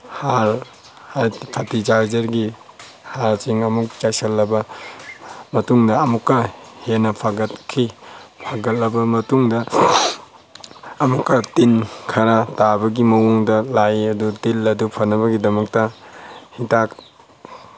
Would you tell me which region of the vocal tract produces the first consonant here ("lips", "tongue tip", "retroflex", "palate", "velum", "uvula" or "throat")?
throat